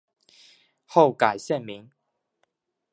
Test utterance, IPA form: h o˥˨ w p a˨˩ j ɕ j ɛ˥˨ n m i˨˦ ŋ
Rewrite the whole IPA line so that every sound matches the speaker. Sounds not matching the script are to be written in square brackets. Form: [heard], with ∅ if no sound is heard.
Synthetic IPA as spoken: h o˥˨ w [k] a˨˩ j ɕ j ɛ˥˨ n m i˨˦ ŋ